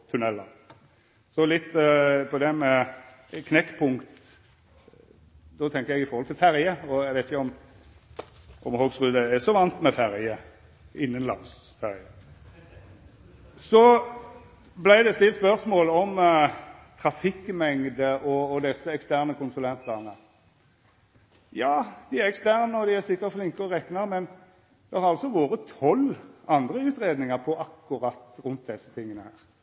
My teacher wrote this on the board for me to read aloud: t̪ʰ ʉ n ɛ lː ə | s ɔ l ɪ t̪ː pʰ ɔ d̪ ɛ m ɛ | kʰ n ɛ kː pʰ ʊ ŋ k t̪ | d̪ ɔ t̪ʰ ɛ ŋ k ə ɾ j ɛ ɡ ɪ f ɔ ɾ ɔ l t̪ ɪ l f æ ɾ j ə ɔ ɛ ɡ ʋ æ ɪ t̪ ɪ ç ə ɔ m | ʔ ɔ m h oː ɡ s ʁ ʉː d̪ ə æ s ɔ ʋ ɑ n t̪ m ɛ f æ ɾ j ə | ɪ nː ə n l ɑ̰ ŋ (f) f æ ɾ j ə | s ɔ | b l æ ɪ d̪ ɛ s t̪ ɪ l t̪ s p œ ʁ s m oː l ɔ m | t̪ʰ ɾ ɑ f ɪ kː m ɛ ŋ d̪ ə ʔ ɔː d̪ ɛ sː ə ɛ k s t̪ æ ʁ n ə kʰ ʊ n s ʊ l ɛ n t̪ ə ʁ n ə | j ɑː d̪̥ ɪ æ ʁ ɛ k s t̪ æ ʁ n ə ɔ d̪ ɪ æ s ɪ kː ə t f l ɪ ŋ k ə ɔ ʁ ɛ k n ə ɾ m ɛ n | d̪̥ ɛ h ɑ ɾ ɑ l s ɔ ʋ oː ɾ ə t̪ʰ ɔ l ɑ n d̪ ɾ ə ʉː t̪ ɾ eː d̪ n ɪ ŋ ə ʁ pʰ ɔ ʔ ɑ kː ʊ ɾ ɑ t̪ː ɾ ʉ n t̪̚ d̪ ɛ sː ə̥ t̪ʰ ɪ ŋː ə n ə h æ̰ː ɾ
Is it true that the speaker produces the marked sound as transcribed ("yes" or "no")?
no